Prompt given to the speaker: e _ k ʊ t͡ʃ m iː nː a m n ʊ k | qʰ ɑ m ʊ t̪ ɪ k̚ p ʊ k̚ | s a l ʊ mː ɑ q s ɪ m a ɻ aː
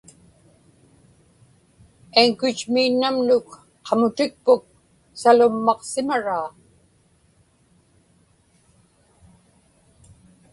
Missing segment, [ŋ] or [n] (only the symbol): ŋ